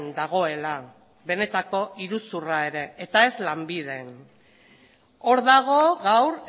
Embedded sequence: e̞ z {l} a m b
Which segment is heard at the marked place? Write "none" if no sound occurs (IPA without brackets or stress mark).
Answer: l